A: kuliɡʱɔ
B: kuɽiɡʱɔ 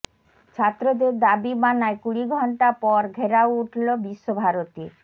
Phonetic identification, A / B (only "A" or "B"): B